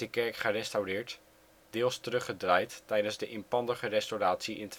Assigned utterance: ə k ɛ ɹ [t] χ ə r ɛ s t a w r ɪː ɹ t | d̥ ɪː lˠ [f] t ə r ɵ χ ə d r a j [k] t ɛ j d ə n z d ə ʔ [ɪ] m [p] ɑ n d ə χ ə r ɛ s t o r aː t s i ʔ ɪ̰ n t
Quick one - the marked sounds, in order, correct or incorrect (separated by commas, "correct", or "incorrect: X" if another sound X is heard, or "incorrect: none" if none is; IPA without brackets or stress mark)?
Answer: incorrect: k, incorrect: s, incorrect: t, correct, correct